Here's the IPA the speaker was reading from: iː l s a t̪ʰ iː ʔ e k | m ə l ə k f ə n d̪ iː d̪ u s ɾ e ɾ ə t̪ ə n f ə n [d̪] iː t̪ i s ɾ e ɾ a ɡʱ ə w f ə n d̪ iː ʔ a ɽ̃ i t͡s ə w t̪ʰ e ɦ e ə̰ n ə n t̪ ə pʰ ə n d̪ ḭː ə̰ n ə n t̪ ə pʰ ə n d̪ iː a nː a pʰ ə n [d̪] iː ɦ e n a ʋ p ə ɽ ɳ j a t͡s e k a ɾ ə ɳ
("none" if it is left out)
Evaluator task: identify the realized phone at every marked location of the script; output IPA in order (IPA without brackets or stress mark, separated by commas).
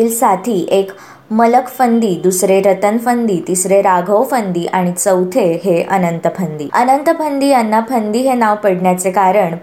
d̪, d̪